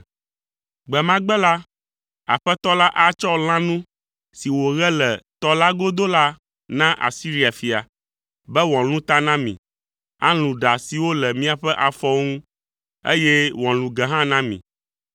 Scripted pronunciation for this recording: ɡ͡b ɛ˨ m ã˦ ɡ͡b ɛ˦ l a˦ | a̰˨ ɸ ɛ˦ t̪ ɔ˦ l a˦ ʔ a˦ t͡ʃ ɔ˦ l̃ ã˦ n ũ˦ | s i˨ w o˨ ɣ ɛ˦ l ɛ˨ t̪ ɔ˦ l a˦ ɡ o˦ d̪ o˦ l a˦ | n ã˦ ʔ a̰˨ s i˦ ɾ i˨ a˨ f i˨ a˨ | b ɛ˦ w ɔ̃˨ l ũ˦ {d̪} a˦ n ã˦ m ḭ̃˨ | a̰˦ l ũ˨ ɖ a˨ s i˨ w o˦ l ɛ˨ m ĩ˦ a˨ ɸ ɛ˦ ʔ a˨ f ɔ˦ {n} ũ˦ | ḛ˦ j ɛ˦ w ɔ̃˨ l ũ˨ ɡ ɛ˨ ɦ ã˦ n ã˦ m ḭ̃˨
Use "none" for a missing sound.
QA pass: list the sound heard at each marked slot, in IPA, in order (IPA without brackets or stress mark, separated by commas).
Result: t̪, ŋ